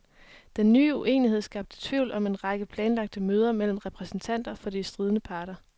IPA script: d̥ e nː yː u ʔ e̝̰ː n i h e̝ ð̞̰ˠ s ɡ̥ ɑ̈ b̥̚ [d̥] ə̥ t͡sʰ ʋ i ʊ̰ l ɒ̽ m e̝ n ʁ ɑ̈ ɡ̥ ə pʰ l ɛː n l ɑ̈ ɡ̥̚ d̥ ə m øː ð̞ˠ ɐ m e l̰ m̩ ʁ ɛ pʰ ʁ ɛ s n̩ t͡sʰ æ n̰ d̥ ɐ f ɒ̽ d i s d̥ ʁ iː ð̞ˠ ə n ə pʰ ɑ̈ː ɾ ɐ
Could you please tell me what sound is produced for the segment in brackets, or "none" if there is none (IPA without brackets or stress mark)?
d̥